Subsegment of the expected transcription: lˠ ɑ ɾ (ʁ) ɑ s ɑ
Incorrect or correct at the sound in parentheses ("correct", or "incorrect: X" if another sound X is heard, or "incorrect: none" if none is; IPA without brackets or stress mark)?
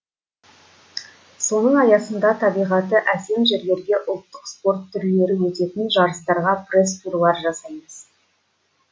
incorrect: ʒ